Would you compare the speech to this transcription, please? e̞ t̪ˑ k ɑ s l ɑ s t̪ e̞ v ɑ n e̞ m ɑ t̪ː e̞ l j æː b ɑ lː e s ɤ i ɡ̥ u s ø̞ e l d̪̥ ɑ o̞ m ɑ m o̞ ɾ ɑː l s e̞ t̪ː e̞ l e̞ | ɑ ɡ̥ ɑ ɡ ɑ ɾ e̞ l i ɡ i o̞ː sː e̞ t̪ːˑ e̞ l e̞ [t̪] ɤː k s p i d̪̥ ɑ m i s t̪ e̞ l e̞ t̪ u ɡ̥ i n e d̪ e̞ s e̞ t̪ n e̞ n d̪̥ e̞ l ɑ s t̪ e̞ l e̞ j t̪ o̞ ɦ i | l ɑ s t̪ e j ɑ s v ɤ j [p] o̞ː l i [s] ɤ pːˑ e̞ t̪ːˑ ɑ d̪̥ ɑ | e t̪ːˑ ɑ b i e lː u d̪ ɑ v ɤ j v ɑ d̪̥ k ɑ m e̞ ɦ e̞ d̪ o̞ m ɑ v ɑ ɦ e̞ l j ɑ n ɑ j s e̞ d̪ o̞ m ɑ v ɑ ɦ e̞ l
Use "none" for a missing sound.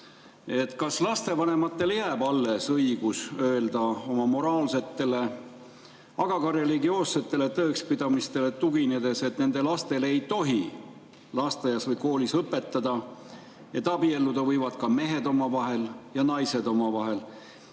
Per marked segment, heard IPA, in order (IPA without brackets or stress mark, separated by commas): t̪, k, s